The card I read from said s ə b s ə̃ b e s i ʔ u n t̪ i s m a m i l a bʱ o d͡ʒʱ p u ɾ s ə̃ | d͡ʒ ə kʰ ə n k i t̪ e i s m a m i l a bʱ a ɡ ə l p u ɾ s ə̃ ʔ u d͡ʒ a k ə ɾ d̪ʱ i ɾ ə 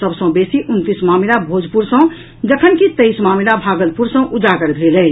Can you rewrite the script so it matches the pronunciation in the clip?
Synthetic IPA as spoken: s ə b s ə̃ b e s i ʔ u n t̪ i s m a m i l a bʱ o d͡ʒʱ p u ɾ s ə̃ | d͡ʒ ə kʰ ə n k i t̪ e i s m a m i l a bʱ a ɡ ə l p u ɾ s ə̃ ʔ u d͡ʒ a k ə ɾ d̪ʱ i l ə